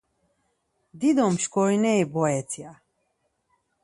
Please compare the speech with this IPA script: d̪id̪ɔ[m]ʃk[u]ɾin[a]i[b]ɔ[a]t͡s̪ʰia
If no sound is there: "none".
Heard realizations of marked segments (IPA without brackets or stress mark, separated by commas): m, ɔ, ɛ, b, ɛ